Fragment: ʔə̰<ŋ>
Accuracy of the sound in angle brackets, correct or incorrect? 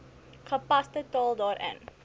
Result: incorrect